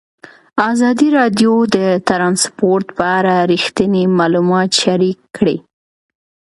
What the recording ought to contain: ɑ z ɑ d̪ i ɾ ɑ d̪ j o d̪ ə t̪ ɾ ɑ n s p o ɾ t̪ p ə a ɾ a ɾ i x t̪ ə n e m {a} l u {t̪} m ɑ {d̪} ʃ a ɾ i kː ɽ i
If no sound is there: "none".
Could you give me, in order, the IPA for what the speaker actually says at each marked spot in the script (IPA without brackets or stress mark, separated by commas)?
ɑ, none, t̪